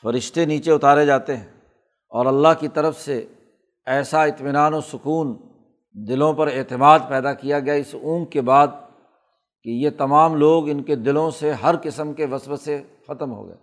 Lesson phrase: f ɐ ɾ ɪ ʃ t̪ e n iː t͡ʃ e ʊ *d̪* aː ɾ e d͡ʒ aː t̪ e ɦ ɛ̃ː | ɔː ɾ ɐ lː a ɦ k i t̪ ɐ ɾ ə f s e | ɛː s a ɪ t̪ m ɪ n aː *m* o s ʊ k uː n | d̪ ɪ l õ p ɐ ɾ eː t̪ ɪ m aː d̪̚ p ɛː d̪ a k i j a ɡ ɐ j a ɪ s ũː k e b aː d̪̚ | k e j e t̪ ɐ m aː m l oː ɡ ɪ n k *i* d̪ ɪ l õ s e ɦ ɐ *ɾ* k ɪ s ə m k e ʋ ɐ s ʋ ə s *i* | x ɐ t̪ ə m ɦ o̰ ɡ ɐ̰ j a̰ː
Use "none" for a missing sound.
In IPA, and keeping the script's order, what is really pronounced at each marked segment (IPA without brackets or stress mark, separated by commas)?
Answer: t̪, n, e, ɾ, e